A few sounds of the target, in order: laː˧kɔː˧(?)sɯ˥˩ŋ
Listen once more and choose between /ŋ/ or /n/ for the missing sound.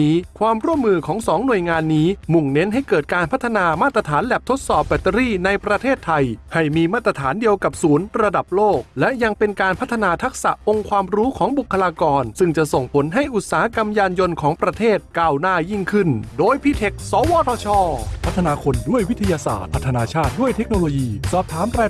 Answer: n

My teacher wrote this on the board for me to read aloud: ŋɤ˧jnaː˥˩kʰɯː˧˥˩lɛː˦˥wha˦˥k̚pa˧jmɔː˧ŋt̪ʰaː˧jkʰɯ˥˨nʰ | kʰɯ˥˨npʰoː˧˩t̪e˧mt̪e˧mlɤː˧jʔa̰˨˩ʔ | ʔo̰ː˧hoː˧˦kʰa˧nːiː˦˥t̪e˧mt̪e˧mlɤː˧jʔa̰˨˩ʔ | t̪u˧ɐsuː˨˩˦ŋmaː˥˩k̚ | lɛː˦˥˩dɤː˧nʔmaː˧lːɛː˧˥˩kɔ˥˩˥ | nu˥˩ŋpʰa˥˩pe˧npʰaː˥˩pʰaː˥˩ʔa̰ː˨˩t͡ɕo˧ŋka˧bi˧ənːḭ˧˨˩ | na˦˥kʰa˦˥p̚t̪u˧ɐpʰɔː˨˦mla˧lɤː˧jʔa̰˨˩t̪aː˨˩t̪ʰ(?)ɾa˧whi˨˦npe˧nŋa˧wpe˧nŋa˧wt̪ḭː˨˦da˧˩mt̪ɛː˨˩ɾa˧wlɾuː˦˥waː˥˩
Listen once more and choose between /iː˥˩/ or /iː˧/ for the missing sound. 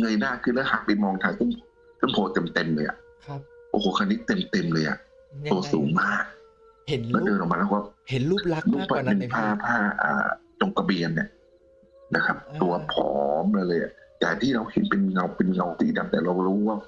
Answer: iː˥˩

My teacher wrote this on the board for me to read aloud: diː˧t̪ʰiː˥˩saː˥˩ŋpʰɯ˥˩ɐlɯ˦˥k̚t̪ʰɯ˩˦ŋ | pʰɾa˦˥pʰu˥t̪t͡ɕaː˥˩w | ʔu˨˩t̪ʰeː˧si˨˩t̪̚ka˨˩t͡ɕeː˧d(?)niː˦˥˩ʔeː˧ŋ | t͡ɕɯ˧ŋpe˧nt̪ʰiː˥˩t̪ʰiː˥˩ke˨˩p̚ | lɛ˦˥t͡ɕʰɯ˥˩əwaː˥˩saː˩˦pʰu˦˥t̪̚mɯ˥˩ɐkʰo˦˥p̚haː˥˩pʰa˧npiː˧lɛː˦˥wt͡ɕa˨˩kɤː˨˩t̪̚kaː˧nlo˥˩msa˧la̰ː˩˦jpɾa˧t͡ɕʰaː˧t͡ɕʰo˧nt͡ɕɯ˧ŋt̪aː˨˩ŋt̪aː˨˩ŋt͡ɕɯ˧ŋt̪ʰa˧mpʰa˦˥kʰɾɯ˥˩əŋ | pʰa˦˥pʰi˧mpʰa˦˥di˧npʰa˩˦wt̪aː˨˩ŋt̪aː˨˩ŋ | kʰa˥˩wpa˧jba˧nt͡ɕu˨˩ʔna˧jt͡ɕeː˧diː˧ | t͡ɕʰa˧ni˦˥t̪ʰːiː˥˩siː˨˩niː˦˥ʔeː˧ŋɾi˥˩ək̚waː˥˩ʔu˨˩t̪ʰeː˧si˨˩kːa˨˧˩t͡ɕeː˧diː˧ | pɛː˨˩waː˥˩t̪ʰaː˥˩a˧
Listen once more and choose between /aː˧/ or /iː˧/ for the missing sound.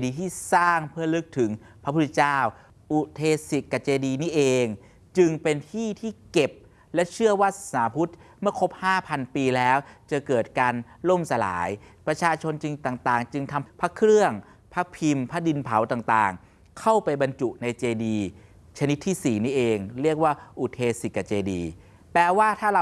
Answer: iː˧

